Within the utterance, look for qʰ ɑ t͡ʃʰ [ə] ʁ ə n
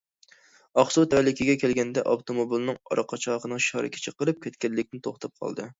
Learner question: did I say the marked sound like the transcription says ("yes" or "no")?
no